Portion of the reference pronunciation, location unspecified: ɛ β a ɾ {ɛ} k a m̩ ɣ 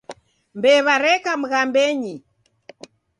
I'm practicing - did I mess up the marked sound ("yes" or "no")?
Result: no